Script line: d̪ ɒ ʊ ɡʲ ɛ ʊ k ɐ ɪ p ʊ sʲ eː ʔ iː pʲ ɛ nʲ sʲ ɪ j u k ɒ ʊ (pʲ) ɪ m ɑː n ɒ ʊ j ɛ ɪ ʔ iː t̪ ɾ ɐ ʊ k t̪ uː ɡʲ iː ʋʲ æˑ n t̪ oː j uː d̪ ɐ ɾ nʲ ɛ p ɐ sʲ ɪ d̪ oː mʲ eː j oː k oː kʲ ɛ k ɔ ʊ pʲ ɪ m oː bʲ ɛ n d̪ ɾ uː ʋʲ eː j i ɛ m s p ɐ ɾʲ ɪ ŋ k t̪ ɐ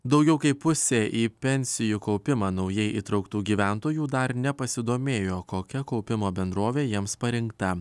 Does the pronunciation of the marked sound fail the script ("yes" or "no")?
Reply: no